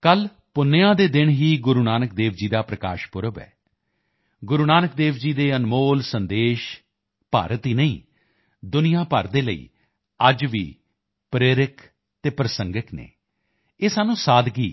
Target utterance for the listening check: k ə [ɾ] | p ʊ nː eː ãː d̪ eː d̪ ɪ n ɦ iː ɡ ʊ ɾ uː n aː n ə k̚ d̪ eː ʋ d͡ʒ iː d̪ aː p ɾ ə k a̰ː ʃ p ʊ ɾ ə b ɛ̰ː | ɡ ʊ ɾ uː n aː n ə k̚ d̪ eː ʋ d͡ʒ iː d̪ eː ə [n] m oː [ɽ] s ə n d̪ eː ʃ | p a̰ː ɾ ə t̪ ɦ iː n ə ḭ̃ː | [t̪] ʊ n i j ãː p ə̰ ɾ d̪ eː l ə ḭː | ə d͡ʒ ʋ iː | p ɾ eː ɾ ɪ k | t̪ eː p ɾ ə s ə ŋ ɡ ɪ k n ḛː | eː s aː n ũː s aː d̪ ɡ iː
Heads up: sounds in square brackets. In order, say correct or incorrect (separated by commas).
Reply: incorrect, correct, incorrect, incorrect